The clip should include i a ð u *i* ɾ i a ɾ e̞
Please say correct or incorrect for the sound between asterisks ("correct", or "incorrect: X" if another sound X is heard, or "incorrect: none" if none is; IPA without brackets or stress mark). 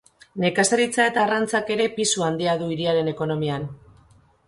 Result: correct